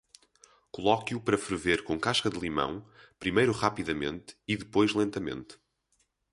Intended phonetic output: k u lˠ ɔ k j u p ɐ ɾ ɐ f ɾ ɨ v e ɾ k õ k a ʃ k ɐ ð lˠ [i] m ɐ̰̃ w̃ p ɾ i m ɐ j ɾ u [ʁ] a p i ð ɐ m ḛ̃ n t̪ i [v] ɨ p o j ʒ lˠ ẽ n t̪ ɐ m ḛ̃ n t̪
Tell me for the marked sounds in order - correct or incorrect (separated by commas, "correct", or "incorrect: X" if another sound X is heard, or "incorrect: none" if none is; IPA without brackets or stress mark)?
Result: correct, correct, incorrect: ð